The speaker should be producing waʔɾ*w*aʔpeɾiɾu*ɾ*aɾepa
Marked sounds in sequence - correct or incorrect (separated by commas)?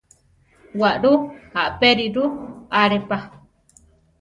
incorrect, incorrect